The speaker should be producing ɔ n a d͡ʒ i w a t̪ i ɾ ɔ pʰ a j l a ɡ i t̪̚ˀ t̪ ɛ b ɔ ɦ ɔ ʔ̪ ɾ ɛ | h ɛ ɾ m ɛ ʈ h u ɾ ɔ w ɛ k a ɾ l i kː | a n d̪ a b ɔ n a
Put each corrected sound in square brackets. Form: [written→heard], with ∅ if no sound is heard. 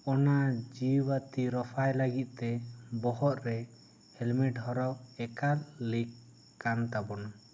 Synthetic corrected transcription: ɔ n a d͡ʒ i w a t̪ i ɾ ɔ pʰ a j l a ɡ i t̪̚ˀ t̪ ɛ b ɔ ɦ ɔ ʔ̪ ɾ ɛ | h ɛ [ɾ→l] m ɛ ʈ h [u→ɔ] ɾ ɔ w ɛ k a ɾ l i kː | a n [d̪→t̪] a b ɔ n a